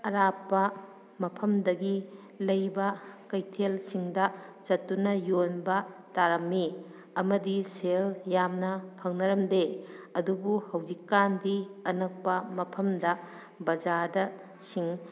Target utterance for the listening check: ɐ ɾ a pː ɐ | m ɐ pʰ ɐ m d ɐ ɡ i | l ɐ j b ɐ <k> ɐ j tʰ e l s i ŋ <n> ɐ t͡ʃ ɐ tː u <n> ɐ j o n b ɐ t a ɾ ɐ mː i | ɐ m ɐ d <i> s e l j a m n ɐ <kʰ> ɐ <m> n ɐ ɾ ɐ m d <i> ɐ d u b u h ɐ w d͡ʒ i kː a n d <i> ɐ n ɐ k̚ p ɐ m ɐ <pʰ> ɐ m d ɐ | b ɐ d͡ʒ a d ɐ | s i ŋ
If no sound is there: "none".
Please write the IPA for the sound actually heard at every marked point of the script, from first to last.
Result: k, d, n, i, pʰ, ŋ, e, i, pʰ

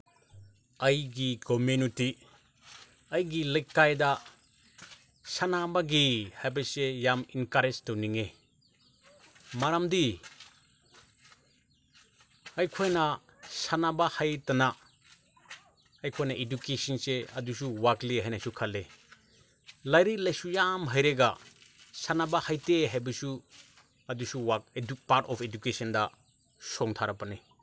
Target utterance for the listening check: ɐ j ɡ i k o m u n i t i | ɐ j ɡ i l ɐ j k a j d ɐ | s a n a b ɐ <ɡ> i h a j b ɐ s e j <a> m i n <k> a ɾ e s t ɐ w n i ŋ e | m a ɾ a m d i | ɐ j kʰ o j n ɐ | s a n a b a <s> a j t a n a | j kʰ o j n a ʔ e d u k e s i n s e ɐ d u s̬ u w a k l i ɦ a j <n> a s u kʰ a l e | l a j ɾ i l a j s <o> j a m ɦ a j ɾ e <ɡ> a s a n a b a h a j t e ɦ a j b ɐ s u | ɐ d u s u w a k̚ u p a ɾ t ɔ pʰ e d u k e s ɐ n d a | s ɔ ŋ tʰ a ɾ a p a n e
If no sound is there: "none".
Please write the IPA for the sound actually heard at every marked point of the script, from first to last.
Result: ɡ, a, k, h, n, u, ɡ

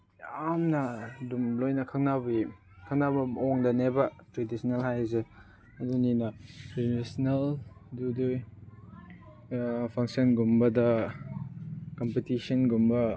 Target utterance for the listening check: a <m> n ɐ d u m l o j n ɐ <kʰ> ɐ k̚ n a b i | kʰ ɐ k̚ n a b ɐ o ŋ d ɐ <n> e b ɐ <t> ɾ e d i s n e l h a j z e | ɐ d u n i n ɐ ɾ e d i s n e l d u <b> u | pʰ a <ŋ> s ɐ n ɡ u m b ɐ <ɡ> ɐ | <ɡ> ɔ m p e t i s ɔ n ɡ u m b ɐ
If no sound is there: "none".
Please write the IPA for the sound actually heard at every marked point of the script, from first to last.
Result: m, kʰ, n, t, d, ŋ, d, k

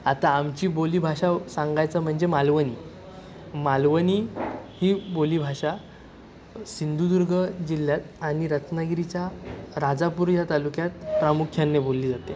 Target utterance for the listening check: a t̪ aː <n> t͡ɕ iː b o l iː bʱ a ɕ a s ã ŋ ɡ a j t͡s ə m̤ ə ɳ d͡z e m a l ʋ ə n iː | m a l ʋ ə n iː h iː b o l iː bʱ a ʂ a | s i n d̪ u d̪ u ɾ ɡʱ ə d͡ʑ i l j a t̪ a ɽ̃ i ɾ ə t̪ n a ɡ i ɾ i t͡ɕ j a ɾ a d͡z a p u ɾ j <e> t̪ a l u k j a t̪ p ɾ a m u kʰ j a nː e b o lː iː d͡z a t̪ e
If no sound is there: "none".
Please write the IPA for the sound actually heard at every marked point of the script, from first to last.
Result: m, a

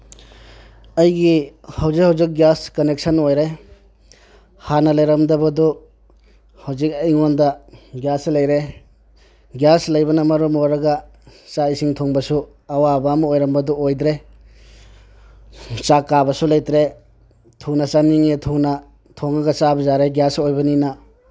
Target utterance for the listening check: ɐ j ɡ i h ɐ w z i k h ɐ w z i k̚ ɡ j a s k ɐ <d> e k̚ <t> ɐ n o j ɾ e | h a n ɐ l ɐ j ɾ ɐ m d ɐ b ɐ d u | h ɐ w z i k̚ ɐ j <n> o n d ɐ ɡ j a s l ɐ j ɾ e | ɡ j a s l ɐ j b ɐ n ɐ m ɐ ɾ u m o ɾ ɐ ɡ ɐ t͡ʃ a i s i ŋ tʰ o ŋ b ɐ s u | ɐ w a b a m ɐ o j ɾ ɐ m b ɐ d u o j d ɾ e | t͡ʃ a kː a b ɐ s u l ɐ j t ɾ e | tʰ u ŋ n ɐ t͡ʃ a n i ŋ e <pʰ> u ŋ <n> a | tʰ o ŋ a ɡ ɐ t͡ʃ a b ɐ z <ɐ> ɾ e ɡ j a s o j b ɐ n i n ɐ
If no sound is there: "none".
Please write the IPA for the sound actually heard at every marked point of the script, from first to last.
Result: n, s, ŋ, tʰ, n, a

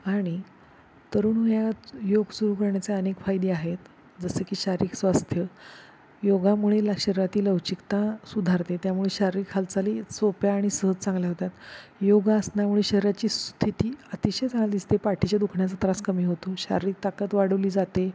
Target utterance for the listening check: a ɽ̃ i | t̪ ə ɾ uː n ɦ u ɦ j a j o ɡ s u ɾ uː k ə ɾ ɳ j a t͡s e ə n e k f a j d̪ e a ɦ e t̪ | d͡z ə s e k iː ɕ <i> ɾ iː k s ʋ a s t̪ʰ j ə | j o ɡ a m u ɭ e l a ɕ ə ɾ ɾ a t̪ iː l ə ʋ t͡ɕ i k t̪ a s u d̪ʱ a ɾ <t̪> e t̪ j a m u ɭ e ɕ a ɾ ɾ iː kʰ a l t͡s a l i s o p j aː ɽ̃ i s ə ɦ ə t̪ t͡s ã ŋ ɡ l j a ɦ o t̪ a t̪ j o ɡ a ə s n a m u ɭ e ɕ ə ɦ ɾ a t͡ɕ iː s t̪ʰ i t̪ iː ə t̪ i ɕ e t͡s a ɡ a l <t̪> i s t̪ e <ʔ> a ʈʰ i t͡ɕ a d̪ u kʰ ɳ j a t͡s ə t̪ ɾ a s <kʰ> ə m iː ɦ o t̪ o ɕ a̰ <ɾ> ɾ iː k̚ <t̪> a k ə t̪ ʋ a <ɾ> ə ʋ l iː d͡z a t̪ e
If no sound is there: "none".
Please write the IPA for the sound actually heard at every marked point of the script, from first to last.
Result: a, t̪, d̪, p, k, ɾ, t̪, ɽ

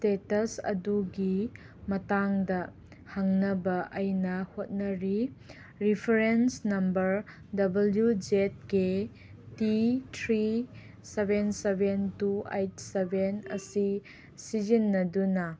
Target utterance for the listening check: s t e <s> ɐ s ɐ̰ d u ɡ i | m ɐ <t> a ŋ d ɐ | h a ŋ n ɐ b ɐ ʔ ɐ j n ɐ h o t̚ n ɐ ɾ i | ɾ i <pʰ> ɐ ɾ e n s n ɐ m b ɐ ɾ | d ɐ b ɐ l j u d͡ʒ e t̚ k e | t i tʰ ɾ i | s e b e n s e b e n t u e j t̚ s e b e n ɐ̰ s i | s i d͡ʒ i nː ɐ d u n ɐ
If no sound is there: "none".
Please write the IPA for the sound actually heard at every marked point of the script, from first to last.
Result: t, t, pʰ

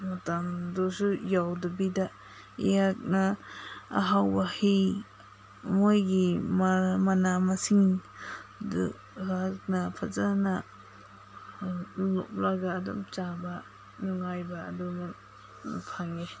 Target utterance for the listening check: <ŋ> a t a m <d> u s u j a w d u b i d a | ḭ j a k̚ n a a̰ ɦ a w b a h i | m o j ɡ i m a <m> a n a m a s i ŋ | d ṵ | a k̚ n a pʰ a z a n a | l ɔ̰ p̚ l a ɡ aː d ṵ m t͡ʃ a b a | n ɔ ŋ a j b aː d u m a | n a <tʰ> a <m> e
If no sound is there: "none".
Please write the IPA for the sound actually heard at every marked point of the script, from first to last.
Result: m, d, m, pʰ, ŋ

